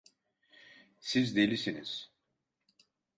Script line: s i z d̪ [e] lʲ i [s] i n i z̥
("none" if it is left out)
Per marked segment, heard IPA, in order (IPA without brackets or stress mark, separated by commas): e, s